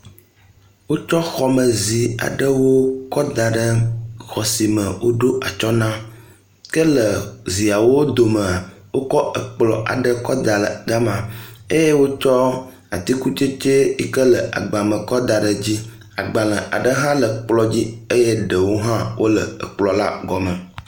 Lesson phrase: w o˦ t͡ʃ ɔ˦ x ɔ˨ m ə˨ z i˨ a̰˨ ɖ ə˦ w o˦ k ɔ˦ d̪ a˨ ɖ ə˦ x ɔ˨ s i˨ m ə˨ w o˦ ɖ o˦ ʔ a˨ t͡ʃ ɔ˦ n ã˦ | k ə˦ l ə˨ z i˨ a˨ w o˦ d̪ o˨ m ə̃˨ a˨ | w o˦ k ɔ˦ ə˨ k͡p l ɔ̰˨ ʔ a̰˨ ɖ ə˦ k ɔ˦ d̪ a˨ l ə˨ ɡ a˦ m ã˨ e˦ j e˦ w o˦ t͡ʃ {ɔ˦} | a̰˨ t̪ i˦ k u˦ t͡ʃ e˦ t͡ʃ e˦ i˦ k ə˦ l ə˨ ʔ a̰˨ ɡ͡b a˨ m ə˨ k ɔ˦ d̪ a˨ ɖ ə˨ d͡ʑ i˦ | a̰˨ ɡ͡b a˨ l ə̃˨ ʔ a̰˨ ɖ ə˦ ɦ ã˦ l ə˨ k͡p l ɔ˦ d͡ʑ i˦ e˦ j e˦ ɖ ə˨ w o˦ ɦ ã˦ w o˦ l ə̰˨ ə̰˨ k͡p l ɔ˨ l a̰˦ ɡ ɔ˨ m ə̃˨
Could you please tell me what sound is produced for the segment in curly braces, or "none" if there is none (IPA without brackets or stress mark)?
ɔ˦